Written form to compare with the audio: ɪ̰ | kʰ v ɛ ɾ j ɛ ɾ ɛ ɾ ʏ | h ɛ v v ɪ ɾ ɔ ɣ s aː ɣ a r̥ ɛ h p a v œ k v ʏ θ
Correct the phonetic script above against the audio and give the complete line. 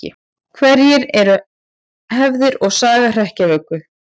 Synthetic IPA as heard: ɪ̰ | kʰ v ɛ ɾ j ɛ ɾ ɛ ɾ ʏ | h ɛ v ð ɪ ɾ ɔ ɣ s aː ɣ a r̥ ɛ h c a v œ k v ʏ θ